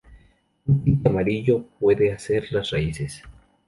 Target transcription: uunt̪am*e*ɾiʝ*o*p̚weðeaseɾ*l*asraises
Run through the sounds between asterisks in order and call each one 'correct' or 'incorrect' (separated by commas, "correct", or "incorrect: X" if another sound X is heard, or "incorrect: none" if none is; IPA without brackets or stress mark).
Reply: incorrect: a, correct, correct